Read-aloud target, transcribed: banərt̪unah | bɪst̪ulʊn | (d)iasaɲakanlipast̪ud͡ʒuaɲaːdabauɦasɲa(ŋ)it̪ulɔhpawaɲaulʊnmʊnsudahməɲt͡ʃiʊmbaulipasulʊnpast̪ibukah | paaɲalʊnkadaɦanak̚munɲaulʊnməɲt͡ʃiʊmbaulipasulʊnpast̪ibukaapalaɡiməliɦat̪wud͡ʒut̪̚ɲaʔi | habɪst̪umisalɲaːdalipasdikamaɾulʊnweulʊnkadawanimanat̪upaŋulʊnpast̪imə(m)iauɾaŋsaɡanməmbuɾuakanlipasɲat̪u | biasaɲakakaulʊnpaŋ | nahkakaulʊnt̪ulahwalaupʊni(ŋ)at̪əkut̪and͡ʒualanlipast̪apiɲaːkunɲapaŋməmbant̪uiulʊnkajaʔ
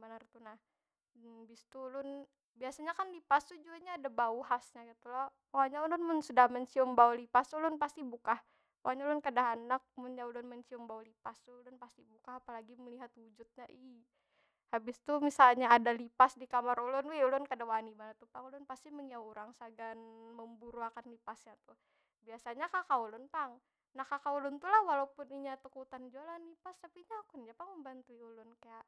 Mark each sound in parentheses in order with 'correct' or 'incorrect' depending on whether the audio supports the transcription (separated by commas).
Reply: incorrect, incorrect, incorrect, incorrect